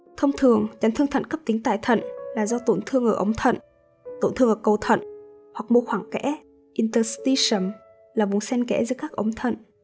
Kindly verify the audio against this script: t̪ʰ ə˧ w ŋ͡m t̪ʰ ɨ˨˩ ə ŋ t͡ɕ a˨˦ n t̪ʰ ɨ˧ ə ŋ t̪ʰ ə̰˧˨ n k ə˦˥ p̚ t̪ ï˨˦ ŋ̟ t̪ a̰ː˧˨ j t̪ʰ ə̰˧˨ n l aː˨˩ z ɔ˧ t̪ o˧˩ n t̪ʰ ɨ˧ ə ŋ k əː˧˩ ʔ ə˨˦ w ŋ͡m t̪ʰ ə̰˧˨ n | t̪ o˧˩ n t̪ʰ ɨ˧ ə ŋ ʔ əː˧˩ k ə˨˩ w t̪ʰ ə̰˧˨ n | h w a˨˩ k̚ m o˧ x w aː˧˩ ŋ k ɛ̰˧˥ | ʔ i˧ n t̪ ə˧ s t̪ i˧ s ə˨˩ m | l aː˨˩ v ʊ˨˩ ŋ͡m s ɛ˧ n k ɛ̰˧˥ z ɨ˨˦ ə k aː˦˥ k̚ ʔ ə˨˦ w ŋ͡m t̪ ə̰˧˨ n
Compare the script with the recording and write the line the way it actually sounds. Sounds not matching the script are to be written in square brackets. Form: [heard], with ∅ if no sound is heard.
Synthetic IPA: t̪ʰ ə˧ w ŋ͡m t̪ʰ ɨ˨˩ ə ŋ t͡ɕ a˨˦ n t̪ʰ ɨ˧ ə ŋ t̪ʰ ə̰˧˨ n k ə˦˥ p̚ t̪ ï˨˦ ŋ̟ t̪ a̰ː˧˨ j t̪ʰ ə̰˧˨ n l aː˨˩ z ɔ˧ t̪ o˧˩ n t̪ʰ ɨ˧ ə ŋ [ʔ] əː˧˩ ʔ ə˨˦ w ŋ͡m t̪ʰ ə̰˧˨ n | t̪ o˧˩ n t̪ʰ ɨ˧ ə ŋ ʔ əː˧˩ k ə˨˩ w t̪ʰ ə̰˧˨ n | h w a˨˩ k̚ m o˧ x w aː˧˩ ŋ k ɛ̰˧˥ | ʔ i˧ n t̪ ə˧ s t̪ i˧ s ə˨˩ m | l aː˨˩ v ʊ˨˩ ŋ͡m s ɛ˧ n k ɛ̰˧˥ z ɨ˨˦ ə k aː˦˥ k̚ ʔ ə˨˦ w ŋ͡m [t̪ʰ] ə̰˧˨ n